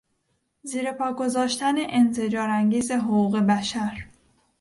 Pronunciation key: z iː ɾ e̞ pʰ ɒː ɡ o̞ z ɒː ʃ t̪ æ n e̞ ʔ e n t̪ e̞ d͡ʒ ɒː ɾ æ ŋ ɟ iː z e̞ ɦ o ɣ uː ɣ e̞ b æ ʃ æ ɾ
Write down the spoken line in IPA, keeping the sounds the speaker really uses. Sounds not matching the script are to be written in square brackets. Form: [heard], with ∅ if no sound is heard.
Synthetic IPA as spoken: z iː ɾ e̞ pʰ ɒː ɡ o̞ z ɒː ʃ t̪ æ n e̞ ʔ e n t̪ e̞ d͡ʒ ɒː ɾ æ ŋ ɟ iː z e̞ ɦ o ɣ uː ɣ e̞ b æ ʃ æ ɾ